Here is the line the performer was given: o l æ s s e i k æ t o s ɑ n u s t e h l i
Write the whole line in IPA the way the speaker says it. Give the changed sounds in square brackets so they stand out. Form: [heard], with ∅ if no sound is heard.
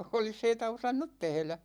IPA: o l [i] s [h] e i [t] æ [∅] o s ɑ [nː] u [t] t e h l [æ]